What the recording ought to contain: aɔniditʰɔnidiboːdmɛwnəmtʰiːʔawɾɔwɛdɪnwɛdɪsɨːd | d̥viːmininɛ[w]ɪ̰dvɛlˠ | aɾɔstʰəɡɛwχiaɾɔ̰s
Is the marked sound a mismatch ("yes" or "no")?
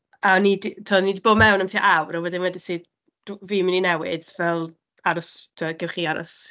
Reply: no